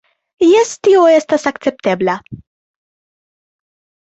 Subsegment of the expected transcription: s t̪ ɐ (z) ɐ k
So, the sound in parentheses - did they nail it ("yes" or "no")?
no